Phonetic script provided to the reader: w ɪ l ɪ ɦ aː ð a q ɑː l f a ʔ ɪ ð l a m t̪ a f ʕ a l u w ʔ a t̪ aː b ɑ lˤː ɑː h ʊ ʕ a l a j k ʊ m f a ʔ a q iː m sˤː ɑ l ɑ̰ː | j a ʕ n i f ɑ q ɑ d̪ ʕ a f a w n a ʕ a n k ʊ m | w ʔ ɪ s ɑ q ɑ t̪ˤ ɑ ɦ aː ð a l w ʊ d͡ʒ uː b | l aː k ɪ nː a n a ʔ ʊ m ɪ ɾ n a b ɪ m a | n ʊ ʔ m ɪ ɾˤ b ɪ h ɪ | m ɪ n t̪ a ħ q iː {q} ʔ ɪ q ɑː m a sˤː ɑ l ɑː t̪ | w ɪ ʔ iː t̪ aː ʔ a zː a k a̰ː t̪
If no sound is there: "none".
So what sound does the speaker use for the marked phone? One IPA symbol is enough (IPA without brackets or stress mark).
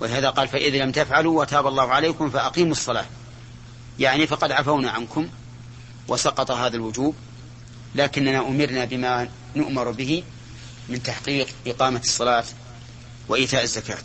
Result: q